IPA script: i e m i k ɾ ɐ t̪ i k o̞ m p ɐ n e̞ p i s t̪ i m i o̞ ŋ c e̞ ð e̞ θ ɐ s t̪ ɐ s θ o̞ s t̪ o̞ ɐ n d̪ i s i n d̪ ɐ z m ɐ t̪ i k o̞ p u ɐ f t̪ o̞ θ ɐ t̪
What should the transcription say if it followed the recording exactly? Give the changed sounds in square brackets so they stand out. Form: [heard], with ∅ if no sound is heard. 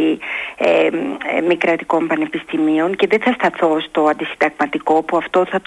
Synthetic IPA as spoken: i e m i k ɾ ɐ t̪ i k o̞ m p ɐ n e̞ p i s t̪ i m i o̞ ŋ c e̞ ð e̞ θ ɐ s t̪ ɐ [∅] θ o̞ s t̪ o̞ ɐ n d̪ i s i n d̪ ɐ [ɣ] m ɐ t̪ i k o̞ p u ɐ f t̪ o̞ θ ɐ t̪